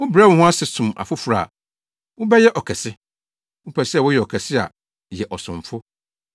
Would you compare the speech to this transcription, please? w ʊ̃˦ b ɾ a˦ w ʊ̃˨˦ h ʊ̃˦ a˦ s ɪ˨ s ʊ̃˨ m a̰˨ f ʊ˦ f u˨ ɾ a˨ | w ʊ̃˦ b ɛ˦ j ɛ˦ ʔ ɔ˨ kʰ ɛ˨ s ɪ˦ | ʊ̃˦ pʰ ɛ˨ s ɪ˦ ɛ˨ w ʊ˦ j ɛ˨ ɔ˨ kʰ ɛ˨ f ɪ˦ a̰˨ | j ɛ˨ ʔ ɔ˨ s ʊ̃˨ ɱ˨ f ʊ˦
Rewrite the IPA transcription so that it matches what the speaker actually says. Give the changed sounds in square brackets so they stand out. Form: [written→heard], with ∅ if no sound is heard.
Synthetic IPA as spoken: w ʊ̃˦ b ɾ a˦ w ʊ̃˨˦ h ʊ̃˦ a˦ s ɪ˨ s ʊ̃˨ m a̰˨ f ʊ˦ f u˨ ɾ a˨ | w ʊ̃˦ b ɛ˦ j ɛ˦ ʔ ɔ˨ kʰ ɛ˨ s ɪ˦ | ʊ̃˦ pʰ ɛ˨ s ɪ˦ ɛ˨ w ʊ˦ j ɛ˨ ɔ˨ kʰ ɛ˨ [f→s] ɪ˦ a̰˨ | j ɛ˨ ʔ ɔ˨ s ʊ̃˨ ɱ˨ f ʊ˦